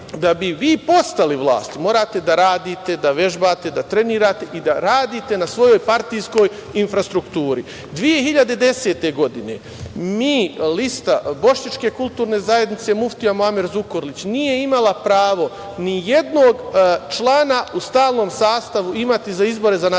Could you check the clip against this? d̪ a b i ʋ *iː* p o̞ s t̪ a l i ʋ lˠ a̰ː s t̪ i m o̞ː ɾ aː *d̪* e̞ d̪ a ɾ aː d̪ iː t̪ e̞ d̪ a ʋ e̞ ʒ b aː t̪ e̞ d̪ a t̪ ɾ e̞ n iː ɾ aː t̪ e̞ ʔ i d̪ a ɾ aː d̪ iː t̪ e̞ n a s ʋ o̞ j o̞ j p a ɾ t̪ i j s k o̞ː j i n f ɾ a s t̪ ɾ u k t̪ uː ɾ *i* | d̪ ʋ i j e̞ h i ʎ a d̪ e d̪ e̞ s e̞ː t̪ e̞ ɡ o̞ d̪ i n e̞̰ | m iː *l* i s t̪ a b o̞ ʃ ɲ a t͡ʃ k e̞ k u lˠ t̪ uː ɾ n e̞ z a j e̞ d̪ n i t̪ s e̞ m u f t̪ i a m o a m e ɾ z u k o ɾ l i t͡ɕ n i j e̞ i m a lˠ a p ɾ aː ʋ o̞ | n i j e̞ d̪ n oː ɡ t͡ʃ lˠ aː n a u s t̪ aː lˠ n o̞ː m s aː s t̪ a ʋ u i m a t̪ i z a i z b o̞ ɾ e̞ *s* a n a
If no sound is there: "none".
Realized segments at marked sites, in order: iː, t̪, i, l, z

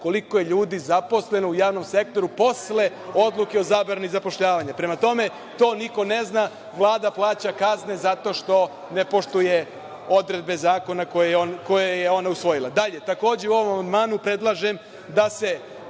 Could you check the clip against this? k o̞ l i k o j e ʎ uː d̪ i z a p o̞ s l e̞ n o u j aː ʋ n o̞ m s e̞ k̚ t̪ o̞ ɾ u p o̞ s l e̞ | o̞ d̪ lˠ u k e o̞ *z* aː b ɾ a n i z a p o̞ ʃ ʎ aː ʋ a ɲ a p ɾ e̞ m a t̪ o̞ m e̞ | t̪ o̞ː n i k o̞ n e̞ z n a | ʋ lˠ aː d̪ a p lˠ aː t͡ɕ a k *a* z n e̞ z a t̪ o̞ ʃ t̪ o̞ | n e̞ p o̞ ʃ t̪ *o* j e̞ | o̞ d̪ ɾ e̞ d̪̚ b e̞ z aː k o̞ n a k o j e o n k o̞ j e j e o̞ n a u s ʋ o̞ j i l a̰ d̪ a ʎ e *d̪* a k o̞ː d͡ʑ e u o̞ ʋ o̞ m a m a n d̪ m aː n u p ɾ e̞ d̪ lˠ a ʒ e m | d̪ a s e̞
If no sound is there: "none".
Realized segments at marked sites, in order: z, a, u, t̪

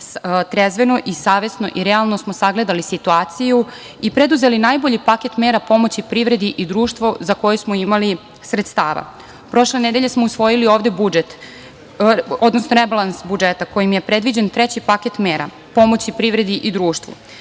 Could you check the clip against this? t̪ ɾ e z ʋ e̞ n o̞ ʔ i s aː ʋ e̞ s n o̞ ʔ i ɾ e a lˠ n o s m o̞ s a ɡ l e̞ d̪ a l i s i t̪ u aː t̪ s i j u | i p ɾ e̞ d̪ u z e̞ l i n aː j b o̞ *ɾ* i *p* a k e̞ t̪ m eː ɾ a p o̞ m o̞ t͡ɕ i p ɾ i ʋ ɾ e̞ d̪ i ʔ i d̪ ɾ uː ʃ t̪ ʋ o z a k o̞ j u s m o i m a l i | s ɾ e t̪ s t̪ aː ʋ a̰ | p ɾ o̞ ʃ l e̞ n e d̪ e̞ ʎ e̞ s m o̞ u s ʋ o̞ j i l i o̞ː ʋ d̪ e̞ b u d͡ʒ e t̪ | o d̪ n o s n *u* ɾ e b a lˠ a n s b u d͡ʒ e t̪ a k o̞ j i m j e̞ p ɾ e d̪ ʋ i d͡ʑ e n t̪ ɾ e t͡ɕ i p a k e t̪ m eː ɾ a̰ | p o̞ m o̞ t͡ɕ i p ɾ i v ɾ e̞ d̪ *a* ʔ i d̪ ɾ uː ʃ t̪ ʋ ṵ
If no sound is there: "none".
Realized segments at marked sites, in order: ʎ, p, o, i

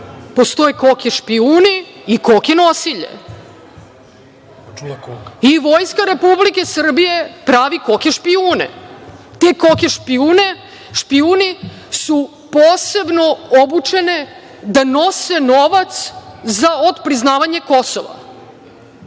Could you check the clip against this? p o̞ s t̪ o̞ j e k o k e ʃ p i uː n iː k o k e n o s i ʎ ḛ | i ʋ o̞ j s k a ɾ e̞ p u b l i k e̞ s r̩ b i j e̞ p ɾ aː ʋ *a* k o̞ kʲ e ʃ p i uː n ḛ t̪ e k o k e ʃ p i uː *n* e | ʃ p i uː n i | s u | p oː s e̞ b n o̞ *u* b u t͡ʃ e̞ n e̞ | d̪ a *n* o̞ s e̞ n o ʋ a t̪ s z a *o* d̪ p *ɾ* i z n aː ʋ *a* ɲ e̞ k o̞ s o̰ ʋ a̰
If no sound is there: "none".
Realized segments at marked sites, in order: i, n, o, n, o, ɾ, a

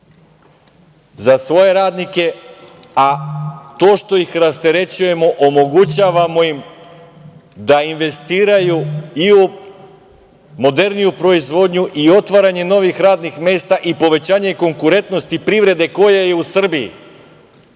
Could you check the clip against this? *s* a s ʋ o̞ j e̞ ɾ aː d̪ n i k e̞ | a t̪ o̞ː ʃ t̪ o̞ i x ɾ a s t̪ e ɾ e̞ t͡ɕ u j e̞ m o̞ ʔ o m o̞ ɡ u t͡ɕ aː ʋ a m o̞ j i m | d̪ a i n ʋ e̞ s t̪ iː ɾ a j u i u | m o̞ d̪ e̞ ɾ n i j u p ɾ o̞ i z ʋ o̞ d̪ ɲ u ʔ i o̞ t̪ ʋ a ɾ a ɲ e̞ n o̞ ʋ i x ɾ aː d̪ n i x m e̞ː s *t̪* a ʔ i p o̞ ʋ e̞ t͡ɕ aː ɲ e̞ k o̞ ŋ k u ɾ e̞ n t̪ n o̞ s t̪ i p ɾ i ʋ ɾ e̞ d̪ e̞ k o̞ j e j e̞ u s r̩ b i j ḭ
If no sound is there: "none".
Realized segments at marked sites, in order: z, t̪

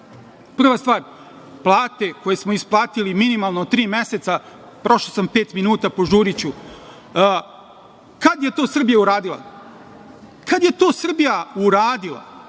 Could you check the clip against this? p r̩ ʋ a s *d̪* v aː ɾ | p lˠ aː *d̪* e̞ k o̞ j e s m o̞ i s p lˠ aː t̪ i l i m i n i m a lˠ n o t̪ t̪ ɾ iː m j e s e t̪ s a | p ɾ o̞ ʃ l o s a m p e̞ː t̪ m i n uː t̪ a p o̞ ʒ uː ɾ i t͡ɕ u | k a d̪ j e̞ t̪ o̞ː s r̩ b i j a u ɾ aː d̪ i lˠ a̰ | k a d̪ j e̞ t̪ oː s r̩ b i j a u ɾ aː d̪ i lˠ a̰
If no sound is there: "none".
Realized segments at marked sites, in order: t̪, t̪

